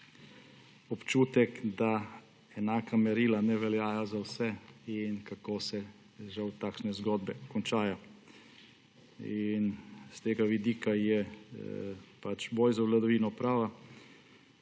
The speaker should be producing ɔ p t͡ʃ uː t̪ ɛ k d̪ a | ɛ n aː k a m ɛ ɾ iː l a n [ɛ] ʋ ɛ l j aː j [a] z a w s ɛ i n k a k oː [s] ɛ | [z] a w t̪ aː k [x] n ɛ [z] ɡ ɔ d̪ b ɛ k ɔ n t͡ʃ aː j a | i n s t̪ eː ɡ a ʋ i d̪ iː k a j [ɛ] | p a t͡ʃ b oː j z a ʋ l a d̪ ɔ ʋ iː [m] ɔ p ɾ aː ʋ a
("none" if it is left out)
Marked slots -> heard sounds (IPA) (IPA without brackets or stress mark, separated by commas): ɛ, a, s, ʒ, ʃ, z, ɛ, n